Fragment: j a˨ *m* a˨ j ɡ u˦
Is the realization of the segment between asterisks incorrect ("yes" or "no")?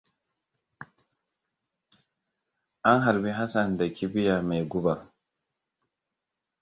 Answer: no